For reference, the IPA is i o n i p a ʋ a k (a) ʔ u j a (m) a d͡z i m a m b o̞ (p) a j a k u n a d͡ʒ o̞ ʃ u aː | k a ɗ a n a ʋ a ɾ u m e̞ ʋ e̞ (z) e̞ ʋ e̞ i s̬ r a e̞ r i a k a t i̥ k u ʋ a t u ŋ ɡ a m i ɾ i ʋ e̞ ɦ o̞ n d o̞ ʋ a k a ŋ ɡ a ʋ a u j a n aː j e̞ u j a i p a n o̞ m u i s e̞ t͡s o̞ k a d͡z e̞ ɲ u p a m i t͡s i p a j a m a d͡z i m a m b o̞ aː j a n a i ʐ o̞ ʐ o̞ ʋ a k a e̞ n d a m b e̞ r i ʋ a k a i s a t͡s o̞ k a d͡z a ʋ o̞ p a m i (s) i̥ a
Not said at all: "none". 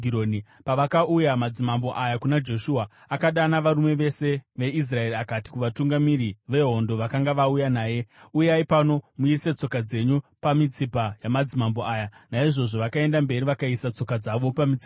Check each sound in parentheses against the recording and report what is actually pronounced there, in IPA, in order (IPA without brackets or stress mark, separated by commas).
a, m, ʔ, s, t͡s